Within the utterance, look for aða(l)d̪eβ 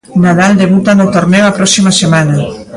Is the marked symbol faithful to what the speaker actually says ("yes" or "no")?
yes